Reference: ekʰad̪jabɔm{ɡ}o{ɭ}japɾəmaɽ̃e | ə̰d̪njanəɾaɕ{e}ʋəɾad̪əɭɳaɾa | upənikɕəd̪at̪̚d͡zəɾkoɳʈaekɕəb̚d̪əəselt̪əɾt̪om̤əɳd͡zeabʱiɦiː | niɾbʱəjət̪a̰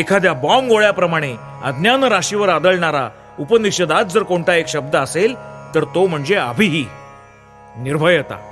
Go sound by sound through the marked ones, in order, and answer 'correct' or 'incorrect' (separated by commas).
correct, correct, incorrect